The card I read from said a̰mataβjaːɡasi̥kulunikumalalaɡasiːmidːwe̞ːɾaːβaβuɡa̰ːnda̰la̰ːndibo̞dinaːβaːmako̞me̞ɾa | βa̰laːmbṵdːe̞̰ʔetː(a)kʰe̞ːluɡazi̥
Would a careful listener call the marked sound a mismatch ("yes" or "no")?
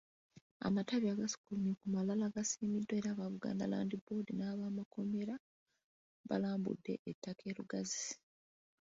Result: no